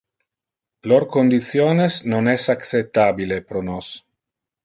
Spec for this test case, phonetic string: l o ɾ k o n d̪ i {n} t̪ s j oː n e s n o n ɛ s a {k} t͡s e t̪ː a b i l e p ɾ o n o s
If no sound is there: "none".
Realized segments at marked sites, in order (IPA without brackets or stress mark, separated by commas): none, k